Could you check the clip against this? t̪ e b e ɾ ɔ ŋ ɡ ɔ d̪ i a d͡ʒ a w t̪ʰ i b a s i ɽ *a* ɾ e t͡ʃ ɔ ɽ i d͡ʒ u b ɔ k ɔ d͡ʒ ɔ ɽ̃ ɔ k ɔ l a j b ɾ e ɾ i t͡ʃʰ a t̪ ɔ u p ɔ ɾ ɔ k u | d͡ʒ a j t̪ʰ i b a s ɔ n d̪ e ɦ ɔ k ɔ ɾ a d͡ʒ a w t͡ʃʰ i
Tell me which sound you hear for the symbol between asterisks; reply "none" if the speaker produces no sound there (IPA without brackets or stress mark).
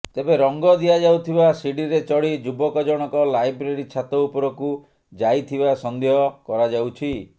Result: i